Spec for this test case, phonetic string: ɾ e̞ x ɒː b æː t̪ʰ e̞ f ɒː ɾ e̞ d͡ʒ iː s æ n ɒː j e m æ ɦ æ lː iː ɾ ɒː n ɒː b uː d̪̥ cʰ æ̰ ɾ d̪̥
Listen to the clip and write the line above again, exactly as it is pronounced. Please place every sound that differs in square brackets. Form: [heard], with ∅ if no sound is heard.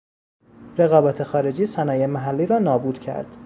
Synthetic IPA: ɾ e̞ [ɣ] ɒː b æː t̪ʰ e̞ [x] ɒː ɾ e̞ d͡ʒ iː s æ n ɒː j e m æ ɦ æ lː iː ɾ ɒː n ɒː b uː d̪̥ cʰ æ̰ ɾ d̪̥